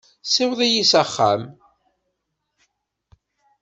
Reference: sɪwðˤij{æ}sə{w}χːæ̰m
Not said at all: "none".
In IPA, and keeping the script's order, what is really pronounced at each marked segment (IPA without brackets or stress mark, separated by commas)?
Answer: i, none